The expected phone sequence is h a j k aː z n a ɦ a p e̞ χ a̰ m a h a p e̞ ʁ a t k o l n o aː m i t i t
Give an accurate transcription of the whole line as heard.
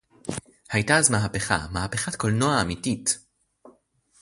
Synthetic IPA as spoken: h a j t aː z m a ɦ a p e̞ χ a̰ m a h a p e̞ χ a t k o l n o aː m i t i t